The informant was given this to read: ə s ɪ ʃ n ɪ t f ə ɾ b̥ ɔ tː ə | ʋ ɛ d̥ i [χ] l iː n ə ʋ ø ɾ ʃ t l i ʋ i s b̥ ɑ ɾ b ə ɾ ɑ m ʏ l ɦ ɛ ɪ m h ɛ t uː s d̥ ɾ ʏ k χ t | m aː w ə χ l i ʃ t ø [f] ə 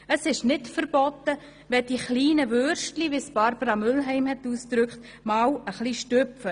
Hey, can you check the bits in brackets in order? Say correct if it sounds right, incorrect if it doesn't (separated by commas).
correct, correct